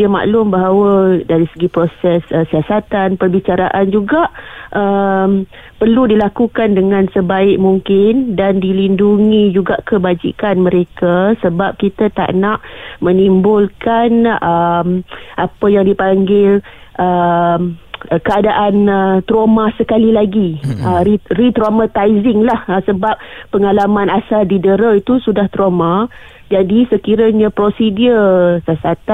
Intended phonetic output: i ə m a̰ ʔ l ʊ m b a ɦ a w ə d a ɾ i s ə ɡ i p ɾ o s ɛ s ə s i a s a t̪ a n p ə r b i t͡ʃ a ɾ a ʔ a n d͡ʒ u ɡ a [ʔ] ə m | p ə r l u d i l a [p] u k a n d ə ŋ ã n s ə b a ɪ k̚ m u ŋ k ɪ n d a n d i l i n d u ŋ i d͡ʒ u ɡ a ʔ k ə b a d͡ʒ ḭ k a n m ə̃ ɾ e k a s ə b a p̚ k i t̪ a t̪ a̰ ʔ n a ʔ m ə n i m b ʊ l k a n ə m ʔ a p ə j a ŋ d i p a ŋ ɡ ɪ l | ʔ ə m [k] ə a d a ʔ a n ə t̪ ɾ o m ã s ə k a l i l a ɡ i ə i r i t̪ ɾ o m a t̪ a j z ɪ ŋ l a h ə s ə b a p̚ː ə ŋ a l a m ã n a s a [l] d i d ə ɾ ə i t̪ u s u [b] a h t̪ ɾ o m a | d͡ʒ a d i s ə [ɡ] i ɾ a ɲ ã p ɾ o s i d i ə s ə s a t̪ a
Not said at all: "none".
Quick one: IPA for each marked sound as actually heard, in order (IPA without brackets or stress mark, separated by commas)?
ʔ, k, k, l, d, k